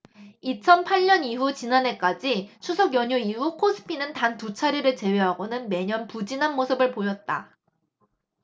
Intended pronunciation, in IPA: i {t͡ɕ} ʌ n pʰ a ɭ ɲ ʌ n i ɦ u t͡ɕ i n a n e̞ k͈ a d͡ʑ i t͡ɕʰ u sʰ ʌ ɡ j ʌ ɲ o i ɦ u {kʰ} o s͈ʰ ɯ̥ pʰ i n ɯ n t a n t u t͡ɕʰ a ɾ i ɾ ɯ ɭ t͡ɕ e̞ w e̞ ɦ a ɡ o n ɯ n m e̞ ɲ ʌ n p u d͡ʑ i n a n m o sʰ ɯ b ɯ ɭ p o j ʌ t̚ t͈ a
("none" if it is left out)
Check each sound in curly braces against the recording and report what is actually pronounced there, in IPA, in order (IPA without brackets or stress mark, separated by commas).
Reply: t͡ɕʰ, kʰ